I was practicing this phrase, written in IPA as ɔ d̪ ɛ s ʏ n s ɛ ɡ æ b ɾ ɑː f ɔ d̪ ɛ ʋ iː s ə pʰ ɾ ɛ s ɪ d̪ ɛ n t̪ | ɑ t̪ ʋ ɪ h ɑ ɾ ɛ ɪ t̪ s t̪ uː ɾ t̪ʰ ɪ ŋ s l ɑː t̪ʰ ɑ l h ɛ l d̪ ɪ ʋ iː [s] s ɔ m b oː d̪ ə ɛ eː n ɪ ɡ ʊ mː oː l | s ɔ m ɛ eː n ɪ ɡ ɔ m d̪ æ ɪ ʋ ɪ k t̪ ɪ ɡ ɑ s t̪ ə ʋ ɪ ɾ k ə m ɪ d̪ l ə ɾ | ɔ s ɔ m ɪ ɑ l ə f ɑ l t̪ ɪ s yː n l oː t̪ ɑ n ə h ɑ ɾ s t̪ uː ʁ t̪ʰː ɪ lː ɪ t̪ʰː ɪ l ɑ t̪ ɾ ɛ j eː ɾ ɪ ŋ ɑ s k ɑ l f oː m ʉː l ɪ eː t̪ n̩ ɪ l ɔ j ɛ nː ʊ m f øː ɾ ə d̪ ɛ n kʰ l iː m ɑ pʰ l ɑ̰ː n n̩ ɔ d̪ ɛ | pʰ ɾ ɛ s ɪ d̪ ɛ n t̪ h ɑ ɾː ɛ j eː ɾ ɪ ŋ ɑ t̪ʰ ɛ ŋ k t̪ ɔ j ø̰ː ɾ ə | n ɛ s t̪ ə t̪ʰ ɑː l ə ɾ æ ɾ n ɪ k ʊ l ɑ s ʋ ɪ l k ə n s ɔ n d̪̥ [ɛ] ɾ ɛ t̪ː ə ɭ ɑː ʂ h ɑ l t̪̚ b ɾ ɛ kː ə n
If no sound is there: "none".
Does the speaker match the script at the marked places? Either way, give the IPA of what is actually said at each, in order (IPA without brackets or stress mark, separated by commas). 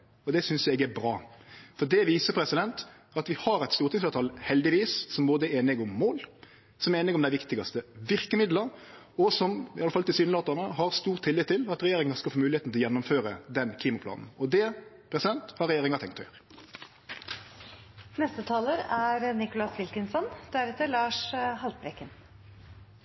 s, æ